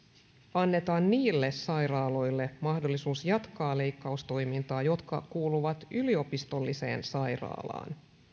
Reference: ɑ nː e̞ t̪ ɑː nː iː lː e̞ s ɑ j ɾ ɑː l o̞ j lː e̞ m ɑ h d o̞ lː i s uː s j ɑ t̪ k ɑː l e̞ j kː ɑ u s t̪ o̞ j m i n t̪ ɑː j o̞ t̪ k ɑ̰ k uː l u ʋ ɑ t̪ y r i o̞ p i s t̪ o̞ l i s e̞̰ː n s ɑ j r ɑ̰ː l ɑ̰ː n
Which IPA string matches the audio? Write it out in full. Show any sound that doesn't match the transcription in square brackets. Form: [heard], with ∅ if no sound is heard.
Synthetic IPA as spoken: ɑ nː e̞ t̪ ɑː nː iː lː e̞ s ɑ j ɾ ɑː l o̞ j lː e̞ m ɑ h d o̞ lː i s uː s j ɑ t̪ k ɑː l e̞ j kː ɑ u s t̪ o̞ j m i n t̪ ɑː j o̞ t̪ k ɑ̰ k uː l u ʋ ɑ t̪ y [l] i o̞ p i s t̪ o̞ [lː] i s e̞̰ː n s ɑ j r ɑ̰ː l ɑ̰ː n